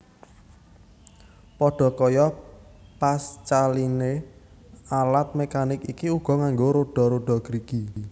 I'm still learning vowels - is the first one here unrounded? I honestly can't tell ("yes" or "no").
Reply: no